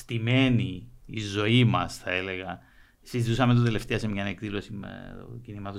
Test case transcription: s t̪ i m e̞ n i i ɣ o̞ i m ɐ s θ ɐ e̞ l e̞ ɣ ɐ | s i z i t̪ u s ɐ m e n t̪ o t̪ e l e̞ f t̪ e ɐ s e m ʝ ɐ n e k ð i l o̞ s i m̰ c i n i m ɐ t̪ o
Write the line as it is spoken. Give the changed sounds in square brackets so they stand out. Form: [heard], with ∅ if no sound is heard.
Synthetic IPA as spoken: s t̪ i m e̞ n i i [z] o̞ i m ɐ s θ ɐ e̞ l e̞ ɣ ɐ | s i z i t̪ u s ɐ m e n t̪ o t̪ e l e̞ f t̪ e ɐ s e m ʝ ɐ n e k ð i l o̞ s i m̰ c i n i m ɐ t̪ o